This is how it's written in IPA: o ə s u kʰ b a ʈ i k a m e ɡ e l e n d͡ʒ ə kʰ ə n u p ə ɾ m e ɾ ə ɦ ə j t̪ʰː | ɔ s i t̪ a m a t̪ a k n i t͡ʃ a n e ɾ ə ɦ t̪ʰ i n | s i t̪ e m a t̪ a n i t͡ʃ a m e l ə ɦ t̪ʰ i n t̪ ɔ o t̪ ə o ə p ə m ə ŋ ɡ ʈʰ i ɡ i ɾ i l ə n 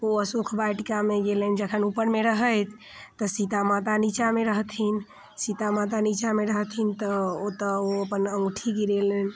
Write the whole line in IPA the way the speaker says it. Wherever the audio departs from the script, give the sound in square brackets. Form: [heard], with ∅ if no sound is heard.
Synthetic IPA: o ə s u kʰ b a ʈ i k a m e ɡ e l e n d͡ʒ ə kʰ ə n u p ə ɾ m e ɾ ə ɦ ə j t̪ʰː | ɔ s i t̪ a m a t̪ a [∅] n i t͡ʃ a [m] e ɾ ə ɦ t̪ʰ i n | s i t̪ [a] m a t̪ a n i t͡ʃ a m e [ɾ] ə ɦ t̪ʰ i n t̪ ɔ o t̪ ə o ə p ə [n] ə ŋ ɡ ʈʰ i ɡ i ɾ [e] l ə n